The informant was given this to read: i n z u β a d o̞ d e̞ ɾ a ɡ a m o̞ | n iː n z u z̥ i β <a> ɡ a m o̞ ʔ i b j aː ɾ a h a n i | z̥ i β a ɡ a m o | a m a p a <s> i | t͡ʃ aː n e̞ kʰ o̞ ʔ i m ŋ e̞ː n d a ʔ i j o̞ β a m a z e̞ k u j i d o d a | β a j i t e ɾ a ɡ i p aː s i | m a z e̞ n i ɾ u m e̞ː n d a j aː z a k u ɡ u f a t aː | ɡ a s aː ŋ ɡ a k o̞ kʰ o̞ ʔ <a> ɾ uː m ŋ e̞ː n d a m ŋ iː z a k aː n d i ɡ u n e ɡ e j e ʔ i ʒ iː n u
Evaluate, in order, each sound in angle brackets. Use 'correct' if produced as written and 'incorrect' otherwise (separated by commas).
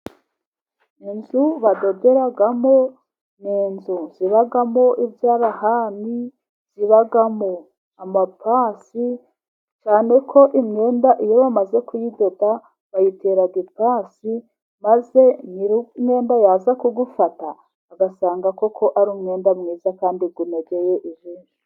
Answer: correct, correct, correct